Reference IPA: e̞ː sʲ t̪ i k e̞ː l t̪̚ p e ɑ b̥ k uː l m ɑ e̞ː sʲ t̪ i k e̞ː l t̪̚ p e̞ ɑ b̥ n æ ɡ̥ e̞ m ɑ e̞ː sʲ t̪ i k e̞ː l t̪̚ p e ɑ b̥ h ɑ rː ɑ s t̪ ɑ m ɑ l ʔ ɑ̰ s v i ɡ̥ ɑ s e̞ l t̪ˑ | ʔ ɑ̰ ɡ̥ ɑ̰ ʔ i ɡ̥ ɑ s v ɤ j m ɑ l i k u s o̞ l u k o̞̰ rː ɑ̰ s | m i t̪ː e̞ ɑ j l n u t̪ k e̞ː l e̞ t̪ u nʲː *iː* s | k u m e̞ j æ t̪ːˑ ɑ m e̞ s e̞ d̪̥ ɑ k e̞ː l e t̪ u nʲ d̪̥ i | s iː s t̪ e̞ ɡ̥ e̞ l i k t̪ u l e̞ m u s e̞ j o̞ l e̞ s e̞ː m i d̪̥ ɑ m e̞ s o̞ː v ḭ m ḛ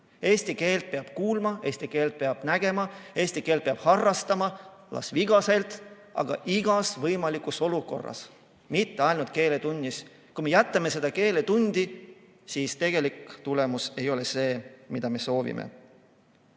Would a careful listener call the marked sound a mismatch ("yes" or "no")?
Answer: yes